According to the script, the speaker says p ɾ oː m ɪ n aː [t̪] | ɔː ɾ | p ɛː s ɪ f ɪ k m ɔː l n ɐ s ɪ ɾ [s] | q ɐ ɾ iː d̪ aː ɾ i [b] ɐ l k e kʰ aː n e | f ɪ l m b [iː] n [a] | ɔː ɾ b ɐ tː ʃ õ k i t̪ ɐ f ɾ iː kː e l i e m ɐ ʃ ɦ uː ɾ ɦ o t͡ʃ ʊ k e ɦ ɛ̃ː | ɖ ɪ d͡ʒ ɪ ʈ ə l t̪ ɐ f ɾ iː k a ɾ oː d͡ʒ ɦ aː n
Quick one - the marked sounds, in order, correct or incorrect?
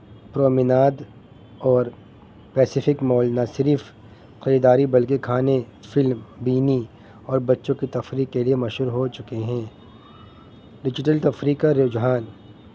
incorrect: d̪, incorrect: f, correct, correct, incorrect: i

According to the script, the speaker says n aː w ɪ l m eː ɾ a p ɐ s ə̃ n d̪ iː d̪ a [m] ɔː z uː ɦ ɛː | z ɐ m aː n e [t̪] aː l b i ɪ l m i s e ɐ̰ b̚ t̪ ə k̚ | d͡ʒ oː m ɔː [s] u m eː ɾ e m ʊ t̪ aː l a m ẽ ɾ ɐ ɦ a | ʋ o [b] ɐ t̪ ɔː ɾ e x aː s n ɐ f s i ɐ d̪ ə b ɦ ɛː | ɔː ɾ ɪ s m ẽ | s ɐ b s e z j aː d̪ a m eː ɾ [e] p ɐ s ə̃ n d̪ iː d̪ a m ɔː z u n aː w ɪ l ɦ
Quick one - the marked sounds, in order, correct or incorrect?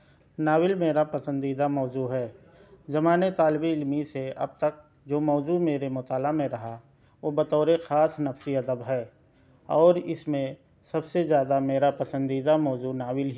correct, correct, incorrect: z, correct, incorrect: a

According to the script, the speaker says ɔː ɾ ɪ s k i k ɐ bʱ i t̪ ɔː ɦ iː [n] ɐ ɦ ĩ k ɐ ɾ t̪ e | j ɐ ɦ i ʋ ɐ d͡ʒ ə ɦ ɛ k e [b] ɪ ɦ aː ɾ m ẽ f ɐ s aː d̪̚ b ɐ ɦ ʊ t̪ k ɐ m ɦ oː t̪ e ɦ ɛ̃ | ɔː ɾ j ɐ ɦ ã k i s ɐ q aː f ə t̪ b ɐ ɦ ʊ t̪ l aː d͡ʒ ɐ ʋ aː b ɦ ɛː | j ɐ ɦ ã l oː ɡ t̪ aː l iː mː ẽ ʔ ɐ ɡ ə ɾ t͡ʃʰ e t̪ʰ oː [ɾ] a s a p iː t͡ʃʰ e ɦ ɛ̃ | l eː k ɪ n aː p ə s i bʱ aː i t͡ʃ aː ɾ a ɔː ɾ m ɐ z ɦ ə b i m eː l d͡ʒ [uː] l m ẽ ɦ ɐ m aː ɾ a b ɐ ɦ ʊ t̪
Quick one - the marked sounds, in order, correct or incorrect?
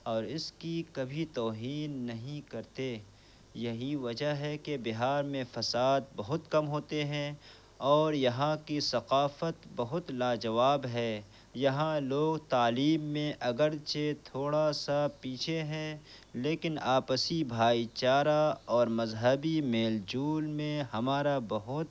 incorrect: nː, correct, incorrect: ɽ, correct

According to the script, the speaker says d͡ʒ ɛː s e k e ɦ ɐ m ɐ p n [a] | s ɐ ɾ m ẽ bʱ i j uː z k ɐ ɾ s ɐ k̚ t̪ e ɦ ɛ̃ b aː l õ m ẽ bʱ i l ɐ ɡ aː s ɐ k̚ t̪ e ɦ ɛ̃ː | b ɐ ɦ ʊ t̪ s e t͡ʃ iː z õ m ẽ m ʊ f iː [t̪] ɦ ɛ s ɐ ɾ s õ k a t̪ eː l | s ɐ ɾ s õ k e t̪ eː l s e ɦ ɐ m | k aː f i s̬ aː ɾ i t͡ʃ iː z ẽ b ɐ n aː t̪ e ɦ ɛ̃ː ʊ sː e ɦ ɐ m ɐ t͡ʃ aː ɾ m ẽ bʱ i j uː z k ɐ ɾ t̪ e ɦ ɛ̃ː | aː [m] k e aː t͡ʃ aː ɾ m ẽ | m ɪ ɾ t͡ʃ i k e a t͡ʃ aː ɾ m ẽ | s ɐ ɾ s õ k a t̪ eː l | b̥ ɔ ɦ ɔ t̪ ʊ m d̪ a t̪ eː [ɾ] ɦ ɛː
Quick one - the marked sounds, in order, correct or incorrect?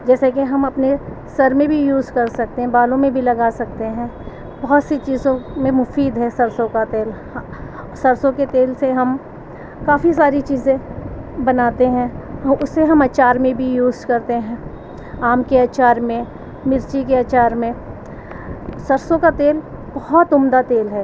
incorrect: e, incorrect: d̪, correct, incorrect: l

